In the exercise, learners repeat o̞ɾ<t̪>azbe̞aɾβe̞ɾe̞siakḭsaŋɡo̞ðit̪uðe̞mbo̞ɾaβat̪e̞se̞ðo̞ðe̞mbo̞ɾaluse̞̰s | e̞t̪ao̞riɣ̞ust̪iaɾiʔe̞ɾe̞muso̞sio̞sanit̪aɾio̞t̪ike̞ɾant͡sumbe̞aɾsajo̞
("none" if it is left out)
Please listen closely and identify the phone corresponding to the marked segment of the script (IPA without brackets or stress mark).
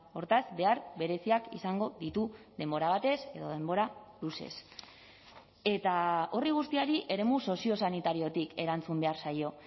t̪